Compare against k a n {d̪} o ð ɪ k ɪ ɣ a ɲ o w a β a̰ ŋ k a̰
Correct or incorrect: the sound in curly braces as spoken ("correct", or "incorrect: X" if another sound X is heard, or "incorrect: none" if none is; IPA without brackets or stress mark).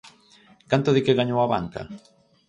incorrect: t̪